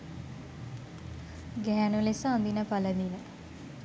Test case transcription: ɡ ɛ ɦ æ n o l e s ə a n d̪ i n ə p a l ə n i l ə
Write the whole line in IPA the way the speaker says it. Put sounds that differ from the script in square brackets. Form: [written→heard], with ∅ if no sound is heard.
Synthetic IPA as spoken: ɡ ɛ ɦ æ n [o→u] l e s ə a n d̪ i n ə p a l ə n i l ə